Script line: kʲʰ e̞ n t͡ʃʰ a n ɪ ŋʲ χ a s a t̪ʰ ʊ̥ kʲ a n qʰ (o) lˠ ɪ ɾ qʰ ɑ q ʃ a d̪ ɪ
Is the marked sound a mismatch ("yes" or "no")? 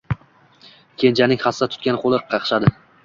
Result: no